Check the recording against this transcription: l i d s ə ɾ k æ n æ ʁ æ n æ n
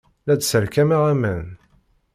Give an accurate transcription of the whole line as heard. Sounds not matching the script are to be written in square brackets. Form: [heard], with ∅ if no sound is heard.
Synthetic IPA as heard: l [æ] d s ə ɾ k æ [m] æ ʁ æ [m] æ n